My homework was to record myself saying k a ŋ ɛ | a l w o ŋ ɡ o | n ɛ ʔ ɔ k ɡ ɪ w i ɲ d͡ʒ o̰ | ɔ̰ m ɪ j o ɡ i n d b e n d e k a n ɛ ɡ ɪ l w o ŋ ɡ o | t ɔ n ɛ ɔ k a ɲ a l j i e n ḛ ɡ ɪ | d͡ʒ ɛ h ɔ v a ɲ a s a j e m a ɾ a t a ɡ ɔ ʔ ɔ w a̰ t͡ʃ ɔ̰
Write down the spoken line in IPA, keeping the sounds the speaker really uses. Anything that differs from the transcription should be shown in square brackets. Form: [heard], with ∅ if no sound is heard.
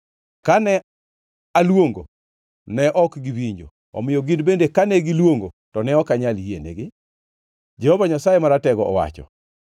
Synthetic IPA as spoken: k a [n] ɛ | a l w o ŋ ɡ o | n ɛ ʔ ɔ k ɡ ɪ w i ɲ d͡ʒ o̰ | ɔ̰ m ɪ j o ɡ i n d b e n d e k a n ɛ ɡ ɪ l w o ŋ ɡ o | t ɔ n ɛ ɔ k a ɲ a l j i e n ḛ ɡ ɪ | d͡ʒ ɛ h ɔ v a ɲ a s a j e m a ɾ a t [ɛ] ɡ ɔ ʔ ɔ w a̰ t͡ʃ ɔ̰